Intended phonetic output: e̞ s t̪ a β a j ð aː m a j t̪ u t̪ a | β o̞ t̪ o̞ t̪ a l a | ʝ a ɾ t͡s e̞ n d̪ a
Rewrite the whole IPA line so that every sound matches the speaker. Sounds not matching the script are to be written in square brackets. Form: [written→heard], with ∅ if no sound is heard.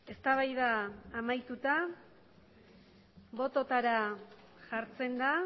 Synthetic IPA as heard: e̞ s t̪ a β a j ð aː m a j t̪ u t̪ a | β o̞ t̪ o̞ t̪ a [l→ɾ] a | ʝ a ɾ t͡s e̞ n d̪ a